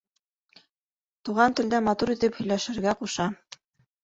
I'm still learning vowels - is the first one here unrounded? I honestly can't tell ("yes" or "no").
no